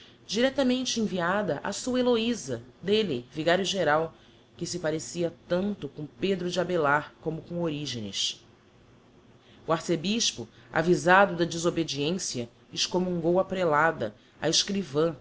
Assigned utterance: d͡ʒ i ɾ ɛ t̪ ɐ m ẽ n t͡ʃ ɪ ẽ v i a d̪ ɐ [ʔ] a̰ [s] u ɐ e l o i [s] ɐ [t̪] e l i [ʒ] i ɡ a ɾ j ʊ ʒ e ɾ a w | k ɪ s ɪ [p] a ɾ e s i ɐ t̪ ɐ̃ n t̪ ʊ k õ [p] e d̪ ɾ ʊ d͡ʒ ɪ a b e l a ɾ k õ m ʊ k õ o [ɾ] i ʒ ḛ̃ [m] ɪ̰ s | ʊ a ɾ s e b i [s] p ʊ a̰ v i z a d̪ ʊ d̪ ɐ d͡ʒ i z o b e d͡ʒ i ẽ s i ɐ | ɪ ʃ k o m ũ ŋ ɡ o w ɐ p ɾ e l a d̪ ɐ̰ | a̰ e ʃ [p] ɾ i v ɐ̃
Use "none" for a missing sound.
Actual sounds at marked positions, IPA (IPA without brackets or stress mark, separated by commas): ʔ, s, z, d̪, v, p, p, ɾ, n, ʃ, k